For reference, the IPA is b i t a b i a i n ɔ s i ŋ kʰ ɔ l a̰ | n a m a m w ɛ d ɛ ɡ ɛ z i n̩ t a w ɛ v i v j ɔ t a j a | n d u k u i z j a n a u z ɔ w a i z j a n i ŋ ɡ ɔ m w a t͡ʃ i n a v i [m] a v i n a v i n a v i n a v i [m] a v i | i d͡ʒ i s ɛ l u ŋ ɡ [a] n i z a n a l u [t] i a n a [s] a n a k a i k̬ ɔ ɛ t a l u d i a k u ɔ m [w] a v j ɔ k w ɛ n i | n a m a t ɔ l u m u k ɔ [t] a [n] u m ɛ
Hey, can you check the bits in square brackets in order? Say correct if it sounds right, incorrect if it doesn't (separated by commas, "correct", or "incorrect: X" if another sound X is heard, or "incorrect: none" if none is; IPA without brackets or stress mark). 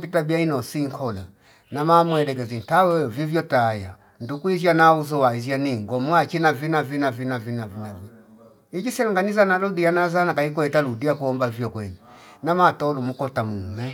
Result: incorrect: n, incorrect: n, correct, incorrect: d, incorrect: z, incorrect: b, correct, incorrect: m